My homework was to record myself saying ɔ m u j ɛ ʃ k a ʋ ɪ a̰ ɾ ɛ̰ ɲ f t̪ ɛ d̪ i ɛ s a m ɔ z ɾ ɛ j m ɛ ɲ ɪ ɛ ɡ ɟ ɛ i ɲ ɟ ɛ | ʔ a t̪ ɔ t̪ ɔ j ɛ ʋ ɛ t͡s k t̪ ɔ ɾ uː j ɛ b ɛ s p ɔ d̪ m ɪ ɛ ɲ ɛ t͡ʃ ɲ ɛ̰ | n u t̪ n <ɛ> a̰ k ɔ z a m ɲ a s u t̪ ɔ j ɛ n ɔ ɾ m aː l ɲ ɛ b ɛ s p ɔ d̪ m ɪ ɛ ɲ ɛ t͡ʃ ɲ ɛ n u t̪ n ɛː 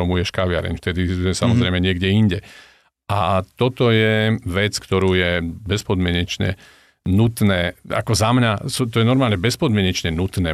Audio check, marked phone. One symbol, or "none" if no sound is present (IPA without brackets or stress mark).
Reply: ɛː